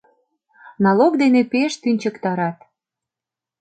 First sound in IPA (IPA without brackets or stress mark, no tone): n